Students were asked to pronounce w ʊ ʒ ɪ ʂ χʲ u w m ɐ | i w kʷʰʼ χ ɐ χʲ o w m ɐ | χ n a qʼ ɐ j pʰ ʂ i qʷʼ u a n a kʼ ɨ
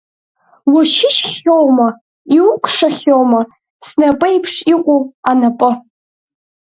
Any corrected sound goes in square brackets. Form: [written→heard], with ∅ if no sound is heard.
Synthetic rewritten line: w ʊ [ʒ→ʃ] ɪ [ʂ→ʃ] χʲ [u→o] w m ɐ | i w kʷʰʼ [χ→ʂ] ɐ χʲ o w m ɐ | [χ→s] n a [qʼ→pʼ] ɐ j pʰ ʂ i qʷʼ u a n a [kʼ→pʼ] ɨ